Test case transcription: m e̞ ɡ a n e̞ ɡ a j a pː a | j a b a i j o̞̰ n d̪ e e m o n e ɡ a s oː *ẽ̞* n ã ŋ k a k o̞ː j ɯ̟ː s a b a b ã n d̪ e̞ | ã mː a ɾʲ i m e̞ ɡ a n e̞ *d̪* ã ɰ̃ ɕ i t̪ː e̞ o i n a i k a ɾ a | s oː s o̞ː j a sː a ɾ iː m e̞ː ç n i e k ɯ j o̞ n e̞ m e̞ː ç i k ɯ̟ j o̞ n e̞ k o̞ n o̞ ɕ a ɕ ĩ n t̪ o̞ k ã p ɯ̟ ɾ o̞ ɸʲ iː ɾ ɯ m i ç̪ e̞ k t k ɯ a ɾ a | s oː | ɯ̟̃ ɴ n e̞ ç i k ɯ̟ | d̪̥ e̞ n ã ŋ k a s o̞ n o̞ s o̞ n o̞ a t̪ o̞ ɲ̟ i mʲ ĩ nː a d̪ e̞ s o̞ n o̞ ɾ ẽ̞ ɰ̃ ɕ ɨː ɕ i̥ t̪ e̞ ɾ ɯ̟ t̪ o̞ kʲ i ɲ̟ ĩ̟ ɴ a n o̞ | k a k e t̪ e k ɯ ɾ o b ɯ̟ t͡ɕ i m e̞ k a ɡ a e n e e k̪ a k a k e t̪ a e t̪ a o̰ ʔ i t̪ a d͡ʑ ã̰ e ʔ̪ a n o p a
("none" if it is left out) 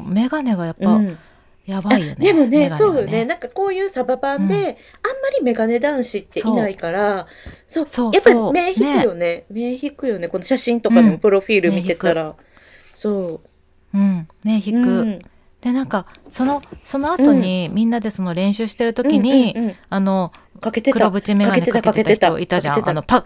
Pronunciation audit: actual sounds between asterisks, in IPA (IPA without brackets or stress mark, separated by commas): e̞, d̪